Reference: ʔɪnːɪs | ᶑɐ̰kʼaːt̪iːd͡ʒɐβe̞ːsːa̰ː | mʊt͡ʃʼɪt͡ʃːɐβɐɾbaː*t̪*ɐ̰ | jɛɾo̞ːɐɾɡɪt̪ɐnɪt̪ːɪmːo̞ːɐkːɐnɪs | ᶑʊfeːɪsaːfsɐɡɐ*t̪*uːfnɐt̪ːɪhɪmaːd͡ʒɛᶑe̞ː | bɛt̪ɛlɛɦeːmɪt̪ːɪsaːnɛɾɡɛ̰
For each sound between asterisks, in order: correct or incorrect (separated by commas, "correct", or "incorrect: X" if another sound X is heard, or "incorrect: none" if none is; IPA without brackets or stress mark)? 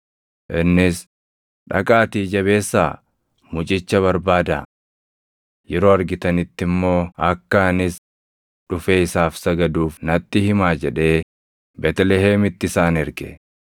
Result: incorrect: d̪, incorrect: d̪